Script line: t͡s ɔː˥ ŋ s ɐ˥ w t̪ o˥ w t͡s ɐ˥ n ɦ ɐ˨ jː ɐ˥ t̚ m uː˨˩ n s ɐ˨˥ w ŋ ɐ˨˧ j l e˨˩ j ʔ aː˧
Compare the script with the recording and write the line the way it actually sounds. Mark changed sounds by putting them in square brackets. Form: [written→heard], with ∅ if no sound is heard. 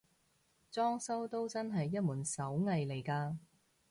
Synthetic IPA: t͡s ɔː˥ ŋ s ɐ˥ w t̪ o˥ w t͡s ɐ˥ n ɦ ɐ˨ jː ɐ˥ t̚ m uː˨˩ n s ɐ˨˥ w ŋ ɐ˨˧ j l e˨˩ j [ʔ→k] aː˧

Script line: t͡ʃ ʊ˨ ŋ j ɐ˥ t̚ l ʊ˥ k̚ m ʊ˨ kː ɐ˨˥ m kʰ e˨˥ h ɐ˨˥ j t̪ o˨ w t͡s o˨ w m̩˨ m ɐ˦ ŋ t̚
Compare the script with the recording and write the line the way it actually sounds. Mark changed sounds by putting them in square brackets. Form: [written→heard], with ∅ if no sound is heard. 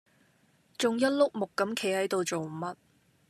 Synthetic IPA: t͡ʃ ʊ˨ ŋ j ɐ˥ t̚ l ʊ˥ k̚ m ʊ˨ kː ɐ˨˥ m kʰ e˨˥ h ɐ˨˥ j t̪ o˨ w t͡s o˨ w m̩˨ m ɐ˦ [ŋ→∅] t̚

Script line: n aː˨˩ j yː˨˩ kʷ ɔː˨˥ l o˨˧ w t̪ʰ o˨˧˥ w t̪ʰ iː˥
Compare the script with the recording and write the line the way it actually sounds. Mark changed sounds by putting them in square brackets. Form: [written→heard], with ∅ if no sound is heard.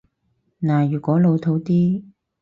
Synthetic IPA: n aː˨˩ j yː˨˩ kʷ ɔː˨˥ l o˨˧ w t̪ʰ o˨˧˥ w [t̪ʰ→t̪] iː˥

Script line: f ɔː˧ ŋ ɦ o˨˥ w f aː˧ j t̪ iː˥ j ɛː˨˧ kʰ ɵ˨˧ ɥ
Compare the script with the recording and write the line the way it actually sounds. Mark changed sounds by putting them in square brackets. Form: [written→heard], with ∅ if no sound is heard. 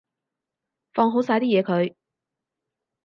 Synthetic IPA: f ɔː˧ ŋ ɦ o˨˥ w [f→s] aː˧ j t̪ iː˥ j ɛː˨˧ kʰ ɵ˨˧ ɥ

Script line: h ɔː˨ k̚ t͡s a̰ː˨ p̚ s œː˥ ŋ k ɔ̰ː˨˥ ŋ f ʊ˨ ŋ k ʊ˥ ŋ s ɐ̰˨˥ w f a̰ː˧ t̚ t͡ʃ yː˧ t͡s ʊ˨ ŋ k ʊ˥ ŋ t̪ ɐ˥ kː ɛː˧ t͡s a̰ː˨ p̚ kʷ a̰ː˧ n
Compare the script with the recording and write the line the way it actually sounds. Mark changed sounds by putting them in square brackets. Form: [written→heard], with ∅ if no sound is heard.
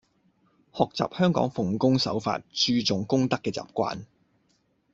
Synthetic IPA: h ɔː˨ k̚ t͡s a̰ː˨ p̚ [s→h] œː˥ ŋ k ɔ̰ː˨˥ ŋ f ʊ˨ ŋ k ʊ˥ ŋ s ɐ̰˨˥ w f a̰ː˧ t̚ t͡ʃ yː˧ t͡s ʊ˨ ŋ k ʊ˥ ŋ t̪ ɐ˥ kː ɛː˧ t͡s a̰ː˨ p̚ kʷ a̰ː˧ n

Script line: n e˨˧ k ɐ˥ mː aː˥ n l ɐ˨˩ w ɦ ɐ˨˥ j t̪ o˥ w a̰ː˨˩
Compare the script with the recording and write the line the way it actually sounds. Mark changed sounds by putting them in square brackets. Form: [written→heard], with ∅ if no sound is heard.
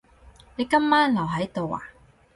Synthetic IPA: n e˨˧ k ɐ˥ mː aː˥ n l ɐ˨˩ w ɦ ɐ˨˥ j t̪ [o˥→o˨] w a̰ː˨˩

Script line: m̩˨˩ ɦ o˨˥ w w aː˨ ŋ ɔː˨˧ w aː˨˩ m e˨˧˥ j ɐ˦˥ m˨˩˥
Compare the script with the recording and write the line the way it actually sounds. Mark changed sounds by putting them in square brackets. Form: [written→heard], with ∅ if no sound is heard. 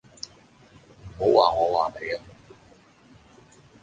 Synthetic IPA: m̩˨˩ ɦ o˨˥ w w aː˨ ŋ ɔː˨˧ w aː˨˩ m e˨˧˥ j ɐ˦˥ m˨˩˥

